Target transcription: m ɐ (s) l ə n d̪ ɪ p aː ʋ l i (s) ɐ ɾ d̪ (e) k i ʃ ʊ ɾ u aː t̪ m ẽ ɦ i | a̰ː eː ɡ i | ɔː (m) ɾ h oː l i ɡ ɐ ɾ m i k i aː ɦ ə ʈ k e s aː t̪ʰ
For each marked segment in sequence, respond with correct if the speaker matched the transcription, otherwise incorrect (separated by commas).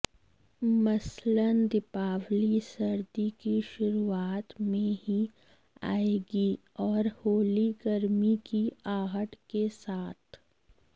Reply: correct, correct, incorrect, incorrect